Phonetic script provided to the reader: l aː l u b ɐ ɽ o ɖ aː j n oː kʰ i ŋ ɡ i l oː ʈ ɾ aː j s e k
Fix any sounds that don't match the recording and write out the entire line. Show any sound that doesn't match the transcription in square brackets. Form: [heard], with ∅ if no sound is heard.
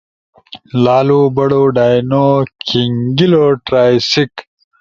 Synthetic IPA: l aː l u b ɐ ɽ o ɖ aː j n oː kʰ i ŋ ɡ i l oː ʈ ɾ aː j s [i] k